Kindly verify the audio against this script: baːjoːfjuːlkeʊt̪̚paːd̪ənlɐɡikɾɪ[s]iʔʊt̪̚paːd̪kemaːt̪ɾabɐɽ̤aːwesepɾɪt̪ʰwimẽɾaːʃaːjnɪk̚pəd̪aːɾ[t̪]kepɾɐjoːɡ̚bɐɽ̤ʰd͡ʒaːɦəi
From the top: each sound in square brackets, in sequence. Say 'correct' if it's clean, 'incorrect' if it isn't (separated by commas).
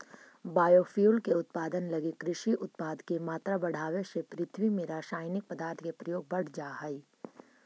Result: incorrect, incorrect